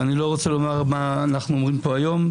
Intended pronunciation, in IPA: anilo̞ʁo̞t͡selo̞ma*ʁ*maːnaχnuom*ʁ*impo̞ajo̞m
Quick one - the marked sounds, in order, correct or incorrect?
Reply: correct, correct

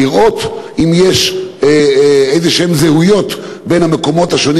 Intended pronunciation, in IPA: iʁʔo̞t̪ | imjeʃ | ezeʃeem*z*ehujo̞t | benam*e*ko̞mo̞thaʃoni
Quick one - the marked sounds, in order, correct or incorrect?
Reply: correct, correct

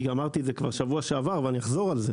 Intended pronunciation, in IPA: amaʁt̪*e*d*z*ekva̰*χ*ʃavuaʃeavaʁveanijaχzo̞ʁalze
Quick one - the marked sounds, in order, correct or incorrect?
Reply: incorrect: i, correct, incorrect: ʁ

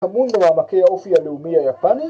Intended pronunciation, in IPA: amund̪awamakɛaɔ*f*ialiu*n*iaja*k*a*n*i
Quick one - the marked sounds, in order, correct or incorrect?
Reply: correct, incorrect: m, incorrect: p, correct

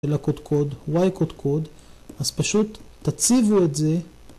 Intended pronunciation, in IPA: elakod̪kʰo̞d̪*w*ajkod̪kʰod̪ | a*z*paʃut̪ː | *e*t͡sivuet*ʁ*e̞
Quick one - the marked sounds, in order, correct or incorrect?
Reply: correct, correct, incorrect: a, incorrect: z

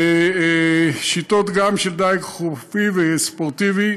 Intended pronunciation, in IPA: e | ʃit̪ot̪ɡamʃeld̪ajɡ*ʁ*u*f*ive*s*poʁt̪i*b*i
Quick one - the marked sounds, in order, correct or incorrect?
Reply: incorrect: χ, correct, correct, incorrect: v

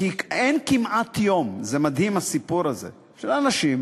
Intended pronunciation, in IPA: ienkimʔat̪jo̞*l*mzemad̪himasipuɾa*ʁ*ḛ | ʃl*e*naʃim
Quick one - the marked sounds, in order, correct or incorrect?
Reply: incorrect: none, incorrect: z, incorrect: a

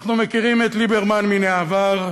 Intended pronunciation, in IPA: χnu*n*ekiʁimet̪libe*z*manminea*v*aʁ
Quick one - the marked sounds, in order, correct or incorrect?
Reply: incorrect: m, incorrect: ʁ, correct

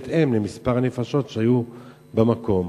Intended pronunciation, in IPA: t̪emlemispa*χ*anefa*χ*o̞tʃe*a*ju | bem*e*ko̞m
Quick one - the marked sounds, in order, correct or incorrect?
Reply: incorrect: ʁ, incorrect: ʃ, correct, incorrect: a

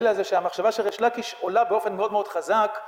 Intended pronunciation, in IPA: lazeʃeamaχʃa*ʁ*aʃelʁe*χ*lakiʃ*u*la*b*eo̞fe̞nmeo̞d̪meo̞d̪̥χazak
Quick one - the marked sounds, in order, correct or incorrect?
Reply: incorrect: v, incorrect: ʃ, incorrect: o, correct

